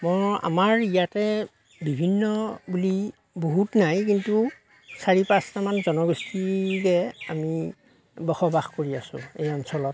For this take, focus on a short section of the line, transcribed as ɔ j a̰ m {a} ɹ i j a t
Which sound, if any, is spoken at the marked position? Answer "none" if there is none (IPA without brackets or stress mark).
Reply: a